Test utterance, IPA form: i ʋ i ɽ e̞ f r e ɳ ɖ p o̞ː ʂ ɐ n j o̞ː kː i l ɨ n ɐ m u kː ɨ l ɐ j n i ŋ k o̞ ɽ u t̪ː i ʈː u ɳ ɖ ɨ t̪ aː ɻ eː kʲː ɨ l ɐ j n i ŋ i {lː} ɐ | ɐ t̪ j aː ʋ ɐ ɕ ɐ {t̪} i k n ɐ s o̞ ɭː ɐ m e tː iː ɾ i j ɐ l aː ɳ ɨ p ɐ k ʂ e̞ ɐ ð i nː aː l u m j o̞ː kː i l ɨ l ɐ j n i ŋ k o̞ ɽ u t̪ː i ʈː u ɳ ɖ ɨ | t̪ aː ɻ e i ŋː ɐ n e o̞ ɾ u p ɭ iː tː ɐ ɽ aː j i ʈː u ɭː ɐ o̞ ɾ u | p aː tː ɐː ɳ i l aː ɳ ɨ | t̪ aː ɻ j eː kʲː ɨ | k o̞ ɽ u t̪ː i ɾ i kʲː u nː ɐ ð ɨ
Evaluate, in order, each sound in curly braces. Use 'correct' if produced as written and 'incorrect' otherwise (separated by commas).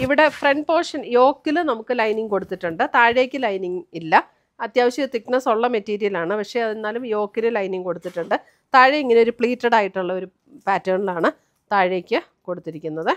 correct, correct